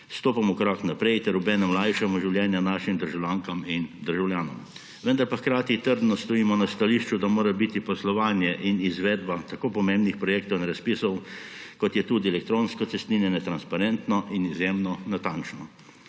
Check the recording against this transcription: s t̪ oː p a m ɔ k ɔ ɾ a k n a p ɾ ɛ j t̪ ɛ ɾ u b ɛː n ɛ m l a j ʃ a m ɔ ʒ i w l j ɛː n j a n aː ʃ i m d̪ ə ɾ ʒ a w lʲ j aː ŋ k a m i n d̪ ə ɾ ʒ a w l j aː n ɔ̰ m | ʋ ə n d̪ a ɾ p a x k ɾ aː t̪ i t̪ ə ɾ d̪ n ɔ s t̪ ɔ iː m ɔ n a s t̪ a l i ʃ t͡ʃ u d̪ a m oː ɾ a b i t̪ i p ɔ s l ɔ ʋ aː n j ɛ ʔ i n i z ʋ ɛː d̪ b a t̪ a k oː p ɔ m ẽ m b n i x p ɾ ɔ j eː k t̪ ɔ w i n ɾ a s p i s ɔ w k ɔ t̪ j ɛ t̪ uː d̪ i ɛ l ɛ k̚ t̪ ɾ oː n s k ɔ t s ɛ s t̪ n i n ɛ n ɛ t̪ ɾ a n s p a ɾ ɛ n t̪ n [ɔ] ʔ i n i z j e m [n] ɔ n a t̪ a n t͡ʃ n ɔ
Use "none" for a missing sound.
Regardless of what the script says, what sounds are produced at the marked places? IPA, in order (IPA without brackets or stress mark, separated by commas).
ɔ, n